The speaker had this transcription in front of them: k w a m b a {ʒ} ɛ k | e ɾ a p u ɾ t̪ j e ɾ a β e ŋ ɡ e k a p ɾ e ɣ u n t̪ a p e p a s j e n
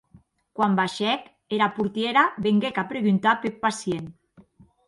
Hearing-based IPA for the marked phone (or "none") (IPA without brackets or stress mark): ʃ